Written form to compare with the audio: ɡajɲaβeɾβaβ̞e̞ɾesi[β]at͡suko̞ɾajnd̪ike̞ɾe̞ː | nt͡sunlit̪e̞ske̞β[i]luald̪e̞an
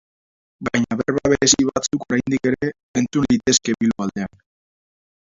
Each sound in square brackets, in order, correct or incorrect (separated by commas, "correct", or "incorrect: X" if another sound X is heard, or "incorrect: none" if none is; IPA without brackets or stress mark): correct, correct